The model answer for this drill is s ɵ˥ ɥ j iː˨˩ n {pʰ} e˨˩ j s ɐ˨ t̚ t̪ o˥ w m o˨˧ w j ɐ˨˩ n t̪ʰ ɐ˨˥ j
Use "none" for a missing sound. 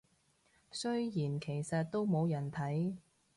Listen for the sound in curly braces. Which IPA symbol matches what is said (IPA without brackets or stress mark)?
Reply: kʰ